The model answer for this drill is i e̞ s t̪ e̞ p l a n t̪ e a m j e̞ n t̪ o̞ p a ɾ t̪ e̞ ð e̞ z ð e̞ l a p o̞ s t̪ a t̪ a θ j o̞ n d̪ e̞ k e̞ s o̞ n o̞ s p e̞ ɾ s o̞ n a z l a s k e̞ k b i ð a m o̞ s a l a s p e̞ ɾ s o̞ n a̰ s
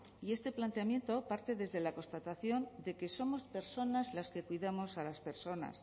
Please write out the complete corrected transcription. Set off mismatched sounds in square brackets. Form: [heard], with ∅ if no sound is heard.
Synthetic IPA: i e̞ s t̪ e̞ p l a n t̪ e a m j e̞ n t̪ o̞ p a ɾ t̪ e̞ ð e̞ z ð e̞ l a [k] o̞ s t̪ a t̪ a θ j o̞ n d̪ e̞ k e̞ s o̞ [m] o̞ s p e̞ ɾ s o̞ n a z l a s k e̞ k [w] i ð a m o̞ s a l a s p e̞ ɾ s o̞ n a̰ s